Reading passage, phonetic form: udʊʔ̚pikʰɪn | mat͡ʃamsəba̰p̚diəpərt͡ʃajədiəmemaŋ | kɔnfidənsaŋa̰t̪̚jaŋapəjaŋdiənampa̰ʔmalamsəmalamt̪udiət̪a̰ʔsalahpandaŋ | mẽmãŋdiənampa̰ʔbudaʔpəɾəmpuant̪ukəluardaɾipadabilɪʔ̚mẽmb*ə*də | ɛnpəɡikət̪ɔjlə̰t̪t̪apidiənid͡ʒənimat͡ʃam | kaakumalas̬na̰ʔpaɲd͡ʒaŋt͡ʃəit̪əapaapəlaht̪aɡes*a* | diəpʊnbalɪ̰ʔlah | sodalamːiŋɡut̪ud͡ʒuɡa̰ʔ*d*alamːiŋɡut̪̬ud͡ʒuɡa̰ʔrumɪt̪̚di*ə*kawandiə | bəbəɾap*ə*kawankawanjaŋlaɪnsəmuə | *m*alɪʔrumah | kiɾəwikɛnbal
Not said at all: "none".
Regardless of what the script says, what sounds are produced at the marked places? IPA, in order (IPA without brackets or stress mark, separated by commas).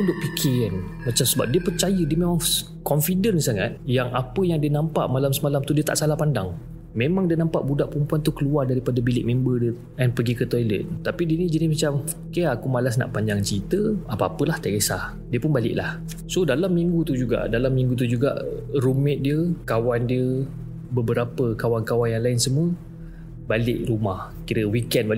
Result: ə, a, d, ə, ə, b